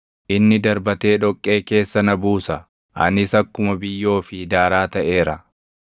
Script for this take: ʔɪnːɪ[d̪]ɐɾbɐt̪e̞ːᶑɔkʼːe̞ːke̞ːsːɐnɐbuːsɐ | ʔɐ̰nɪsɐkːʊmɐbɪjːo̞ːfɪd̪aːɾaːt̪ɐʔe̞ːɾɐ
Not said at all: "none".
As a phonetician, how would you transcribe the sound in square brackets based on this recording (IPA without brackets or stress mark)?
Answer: d̪